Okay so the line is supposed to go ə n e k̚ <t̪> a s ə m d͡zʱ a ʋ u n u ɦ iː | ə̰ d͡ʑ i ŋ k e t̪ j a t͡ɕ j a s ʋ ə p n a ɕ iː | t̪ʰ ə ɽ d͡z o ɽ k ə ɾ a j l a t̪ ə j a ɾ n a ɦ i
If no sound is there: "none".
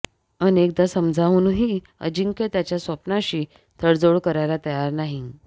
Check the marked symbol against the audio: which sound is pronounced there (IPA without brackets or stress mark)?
d̪